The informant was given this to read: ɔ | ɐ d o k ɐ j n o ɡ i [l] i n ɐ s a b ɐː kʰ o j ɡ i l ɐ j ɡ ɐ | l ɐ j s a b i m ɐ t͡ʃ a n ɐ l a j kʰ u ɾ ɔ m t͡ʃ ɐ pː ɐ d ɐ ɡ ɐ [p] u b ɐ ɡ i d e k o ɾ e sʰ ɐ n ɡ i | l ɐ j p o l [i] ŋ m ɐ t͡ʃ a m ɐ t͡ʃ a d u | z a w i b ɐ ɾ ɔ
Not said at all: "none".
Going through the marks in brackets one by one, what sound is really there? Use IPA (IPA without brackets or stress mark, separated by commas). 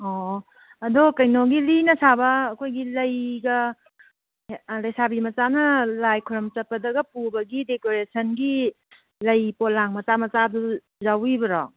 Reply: l, p, a